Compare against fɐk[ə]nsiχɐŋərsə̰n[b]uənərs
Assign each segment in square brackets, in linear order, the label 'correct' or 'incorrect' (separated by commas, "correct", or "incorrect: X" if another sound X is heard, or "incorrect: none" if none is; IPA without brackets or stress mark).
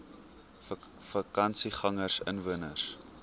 incorrect: ɐ, incorrect: v